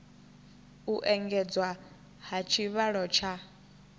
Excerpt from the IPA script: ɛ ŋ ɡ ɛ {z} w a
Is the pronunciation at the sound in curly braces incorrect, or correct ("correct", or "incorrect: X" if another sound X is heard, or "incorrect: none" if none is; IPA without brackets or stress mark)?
incorrect: d͡z